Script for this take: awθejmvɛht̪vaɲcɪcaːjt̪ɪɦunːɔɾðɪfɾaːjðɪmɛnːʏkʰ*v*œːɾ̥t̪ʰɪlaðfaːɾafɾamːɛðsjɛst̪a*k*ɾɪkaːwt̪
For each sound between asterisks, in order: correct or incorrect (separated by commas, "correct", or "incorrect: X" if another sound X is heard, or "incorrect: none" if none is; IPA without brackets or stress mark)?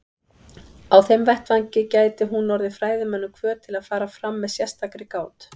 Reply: correct, correct